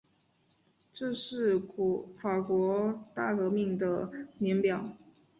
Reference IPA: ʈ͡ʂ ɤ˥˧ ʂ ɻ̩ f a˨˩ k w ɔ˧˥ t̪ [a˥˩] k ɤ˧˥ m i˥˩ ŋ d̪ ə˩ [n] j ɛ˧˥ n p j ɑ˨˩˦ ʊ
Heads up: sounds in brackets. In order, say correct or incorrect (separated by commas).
correct, correct